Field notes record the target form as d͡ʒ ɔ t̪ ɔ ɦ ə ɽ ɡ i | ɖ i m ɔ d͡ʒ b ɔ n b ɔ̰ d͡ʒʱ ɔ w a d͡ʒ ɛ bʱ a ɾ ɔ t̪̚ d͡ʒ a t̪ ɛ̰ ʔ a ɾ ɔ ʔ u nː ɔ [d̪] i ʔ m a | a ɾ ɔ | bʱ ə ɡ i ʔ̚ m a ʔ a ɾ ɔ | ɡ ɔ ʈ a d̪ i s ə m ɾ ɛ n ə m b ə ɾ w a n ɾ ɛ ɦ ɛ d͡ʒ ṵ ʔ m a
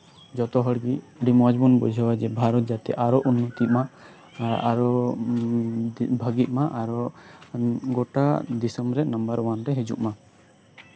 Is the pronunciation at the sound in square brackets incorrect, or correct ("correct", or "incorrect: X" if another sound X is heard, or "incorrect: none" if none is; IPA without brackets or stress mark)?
incorrect: t̪